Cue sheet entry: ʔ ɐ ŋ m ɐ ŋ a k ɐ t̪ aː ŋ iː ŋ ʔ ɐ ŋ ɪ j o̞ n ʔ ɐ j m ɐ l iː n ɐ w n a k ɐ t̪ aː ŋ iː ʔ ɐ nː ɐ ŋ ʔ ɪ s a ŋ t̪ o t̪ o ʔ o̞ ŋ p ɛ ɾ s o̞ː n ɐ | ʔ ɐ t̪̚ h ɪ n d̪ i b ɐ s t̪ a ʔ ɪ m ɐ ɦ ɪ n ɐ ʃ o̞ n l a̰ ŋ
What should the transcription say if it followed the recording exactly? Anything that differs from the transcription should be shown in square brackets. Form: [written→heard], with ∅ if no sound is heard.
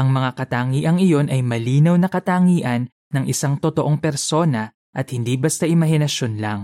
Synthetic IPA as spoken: ʔ ɐ ŋ m ɐ ŋ a k ɐ t̪ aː ŋ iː [ŋ→∅] ʔ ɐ ŋ ɪ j o̞ n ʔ ɐ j m ɐ l iː n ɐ w n [a→ɐ] k ɐ t̪ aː ŋ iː ʔ ɐ nː ɐ ŋ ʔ ɪ s a ŋ t̪ o t̪ o ʔ o̞ ŋ p ɛ ɾ s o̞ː n ɐ | ʔ ɐ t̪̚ h ɪ n d̪ i b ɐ s t̪ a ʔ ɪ m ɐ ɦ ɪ n ɐ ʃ o̞ n l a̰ ŋ